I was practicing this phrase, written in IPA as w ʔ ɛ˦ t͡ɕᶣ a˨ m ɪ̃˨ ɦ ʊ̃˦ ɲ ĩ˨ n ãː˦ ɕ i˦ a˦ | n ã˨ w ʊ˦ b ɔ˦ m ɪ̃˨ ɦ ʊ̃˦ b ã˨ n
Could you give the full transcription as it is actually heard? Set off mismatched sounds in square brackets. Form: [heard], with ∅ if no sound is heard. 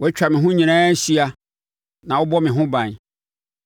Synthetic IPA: w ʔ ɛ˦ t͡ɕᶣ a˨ m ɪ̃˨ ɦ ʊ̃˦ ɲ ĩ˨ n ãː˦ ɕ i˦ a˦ | n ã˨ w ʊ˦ b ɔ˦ m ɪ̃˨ ɦ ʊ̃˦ b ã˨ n